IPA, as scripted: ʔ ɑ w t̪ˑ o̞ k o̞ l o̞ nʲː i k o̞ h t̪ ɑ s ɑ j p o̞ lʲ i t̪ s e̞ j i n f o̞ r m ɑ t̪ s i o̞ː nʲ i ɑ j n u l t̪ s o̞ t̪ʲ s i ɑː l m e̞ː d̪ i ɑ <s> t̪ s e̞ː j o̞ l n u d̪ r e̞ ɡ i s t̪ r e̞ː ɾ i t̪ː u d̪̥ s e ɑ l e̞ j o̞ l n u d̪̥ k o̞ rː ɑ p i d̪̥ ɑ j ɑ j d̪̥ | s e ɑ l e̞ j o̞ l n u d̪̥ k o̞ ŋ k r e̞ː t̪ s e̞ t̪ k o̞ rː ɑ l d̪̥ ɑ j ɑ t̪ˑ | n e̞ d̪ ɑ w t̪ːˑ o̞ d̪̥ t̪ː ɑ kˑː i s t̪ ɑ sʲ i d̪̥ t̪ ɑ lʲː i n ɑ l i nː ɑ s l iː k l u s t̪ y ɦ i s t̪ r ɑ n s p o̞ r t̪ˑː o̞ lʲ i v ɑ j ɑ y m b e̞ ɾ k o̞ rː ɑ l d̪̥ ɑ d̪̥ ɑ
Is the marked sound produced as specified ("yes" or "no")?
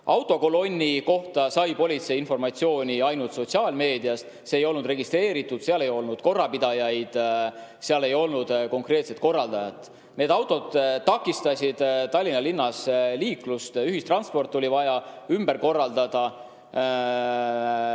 yes